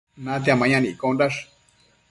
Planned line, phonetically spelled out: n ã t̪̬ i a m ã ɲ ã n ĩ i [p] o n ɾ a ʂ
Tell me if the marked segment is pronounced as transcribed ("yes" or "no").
no